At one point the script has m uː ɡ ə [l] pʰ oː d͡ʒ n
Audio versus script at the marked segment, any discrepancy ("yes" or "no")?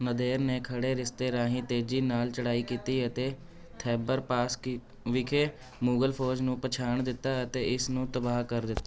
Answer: no